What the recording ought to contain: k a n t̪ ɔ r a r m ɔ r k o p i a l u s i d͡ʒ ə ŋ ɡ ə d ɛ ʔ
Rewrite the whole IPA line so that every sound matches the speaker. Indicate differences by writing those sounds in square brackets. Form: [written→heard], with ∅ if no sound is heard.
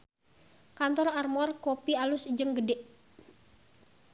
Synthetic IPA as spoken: k a n t̪ ɔ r a r m ɔ r k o p i a l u s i d͡ʒ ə ŋ ɡ ə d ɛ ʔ